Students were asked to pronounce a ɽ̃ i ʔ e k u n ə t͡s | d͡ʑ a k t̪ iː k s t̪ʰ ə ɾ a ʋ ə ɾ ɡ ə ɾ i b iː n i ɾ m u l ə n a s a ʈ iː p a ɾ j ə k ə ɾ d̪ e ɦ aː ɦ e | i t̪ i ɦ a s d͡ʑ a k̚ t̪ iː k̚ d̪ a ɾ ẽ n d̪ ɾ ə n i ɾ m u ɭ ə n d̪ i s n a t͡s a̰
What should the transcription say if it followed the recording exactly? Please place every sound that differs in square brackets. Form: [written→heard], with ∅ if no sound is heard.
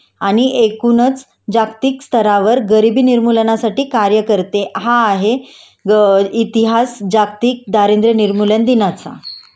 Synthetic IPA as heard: a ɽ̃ i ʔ e k u n ə t͡s | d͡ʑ a k t̪ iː k s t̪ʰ ə ɾ a ʋ ə ɾ ɡ ə ɾ i b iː n i ɾ m u l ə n a s a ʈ iː [p→k] a ɾ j ə k ə ɾ [d̪→t̪] e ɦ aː ɦ e | i t̪ i ɦ a s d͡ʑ a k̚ t̪ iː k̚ d̪ a ɾ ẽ n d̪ ɾ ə n i ɾ m u [ɭ→l] ə n d̪ i [s→∅] n a t͡s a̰